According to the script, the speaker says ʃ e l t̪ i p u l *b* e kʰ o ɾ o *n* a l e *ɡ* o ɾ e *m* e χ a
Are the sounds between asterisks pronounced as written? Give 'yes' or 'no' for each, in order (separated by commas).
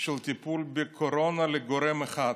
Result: yes, yes, yes, yes